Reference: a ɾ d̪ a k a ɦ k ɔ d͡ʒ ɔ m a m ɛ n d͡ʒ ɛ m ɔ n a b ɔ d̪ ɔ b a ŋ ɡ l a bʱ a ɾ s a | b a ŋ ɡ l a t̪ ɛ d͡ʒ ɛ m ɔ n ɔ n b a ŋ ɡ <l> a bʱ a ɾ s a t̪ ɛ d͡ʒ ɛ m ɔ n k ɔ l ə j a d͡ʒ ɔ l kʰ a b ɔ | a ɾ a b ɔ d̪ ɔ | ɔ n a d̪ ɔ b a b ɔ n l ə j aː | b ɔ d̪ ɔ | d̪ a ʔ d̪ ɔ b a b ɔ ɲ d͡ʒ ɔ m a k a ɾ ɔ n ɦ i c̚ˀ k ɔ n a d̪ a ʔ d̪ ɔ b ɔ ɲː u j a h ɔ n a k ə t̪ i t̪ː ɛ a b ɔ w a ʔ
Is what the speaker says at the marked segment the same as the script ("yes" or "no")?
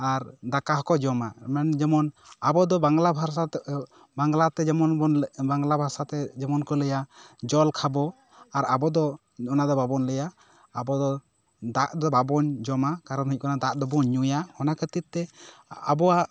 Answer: yes